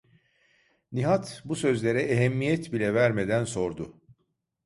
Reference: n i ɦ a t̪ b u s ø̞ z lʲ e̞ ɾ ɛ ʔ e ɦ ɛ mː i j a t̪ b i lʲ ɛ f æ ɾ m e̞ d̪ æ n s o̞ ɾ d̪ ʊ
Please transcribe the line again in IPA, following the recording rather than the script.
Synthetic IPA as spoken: n i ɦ a t̪ b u s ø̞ z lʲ e̞ ɾ ɛ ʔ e ɦ ɛ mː i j ɛ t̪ b i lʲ ɛ v æ ɾ m e̞ d̪ æ n s o̞ ɾ d̪ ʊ